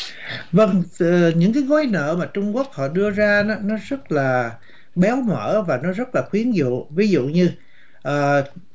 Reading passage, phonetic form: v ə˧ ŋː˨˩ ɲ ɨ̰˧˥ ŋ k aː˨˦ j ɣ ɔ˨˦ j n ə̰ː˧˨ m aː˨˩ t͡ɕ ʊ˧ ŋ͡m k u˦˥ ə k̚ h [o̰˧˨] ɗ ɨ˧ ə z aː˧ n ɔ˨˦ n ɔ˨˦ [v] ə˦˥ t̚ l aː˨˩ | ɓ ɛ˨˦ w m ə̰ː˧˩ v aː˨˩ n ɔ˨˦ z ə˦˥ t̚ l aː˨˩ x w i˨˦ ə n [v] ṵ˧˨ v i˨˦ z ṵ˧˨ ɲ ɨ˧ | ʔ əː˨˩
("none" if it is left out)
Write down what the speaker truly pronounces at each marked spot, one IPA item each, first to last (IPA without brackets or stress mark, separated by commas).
ɔ̰˧˨, z, z